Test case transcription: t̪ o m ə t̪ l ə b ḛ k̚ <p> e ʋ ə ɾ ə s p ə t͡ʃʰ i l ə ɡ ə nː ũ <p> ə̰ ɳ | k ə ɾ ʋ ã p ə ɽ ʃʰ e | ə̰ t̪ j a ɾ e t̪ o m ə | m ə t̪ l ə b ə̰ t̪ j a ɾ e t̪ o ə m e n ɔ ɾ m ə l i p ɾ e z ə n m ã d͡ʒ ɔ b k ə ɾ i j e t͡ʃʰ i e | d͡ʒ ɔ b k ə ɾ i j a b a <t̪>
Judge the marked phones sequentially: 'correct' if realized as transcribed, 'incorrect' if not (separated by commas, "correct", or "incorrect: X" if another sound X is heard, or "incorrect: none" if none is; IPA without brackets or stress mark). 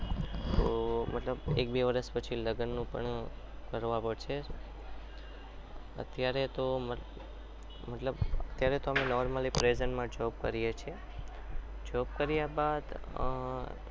incorrect: b, correct, incorrect: d̪